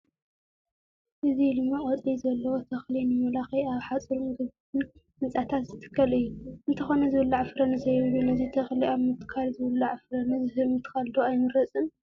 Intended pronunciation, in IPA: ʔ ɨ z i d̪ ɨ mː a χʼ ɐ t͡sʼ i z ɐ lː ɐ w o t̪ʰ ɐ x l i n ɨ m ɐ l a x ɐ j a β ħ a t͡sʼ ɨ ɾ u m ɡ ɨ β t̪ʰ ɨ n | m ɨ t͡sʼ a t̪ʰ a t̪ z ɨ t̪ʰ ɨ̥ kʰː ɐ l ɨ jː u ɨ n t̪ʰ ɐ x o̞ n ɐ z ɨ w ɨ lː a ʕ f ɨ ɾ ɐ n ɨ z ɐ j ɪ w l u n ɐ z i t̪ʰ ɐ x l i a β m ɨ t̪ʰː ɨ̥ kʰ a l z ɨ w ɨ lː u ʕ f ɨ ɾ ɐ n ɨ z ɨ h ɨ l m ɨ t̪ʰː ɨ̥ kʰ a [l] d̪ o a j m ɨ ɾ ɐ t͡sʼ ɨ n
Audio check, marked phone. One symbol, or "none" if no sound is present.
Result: l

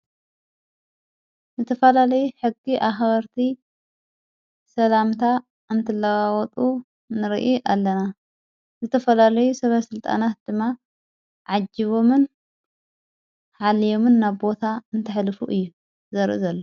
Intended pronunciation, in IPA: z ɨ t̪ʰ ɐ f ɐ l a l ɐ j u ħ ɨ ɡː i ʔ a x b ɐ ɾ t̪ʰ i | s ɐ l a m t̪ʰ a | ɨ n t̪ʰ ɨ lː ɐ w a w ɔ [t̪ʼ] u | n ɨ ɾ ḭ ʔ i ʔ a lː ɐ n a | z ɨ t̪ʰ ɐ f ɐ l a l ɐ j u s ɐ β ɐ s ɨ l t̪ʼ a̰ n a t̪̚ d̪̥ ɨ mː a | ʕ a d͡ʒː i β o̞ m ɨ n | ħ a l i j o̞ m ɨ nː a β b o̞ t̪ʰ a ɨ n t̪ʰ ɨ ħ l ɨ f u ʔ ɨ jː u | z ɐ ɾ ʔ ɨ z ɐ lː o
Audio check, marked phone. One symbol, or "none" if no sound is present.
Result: t̪ʼ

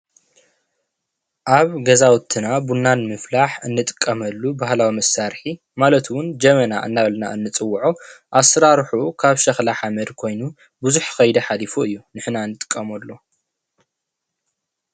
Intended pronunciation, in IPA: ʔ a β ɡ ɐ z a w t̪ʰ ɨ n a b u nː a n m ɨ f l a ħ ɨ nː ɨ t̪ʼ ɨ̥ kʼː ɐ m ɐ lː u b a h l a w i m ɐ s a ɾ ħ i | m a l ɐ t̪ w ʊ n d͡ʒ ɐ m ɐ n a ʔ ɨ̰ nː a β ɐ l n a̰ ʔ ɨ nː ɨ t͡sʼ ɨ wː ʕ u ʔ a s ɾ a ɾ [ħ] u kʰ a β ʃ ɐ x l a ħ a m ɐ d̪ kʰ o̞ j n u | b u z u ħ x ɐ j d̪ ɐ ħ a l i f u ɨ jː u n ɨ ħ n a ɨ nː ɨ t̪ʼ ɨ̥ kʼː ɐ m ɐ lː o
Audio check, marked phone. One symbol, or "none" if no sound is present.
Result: ħ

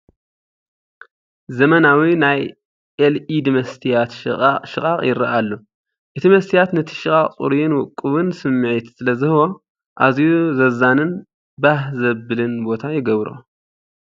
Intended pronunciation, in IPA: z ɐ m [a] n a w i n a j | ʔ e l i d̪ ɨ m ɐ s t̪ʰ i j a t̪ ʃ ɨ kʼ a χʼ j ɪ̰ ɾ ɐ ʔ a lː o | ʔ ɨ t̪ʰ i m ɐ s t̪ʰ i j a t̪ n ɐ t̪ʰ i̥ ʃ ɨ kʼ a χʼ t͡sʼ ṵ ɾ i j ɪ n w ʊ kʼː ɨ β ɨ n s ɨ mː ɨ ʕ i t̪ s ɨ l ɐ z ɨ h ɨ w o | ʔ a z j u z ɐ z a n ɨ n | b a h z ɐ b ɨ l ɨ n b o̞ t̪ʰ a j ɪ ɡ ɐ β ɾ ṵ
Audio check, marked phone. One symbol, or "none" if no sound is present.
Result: ɐ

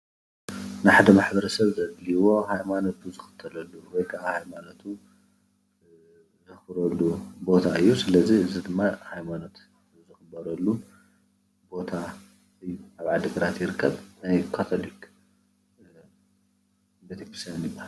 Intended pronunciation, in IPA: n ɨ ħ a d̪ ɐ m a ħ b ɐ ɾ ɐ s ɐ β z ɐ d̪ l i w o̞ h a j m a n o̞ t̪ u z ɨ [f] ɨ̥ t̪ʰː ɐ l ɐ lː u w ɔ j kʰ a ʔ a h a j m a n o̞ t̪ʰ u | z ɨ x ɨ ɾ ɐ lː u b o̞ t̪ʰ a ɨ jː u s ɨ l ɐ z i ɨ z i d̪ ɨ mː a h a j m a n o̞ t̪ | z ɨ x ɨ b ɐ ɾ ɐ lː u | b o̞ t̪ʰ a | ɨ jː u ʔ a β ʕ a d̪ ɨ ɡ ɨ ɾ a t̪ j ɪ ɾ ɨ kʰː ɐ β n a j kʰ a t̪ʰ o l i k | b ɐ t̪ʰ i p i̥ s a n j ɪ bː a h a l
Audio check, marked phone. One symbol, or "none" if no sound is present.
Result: x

